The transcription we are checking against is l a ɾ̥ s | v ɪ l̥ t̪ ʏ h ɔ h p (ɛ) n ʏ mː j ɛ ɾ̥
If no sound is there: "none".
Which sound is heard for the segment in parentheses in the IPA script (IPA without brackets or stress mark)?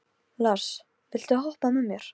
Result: a